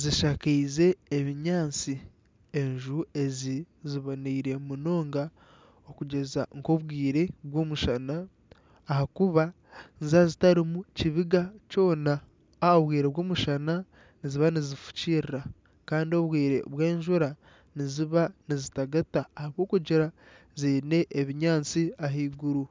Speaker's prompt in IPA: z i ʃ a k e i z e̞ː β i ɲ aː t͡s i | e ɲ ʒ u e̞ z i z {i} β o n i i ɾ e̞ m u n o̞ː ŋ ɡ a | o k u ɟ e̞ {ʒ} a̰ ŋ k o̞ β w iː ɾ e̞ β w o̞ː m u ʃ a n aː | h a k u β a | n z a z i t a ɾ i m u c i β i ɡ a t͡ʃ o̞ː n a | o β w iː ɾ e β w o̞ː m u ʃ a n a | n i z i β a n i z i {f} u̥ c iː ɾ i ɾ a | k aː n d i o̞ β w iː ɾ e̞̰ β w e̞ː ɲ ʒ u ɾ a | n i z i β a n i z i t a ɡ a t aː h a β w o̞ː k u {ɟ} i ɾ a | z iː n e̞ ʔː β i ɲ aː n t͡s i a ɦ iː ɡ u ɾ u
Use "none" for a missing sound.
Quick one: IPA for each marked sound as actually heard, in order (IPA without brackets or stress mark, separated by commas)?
i, z, f, ɟ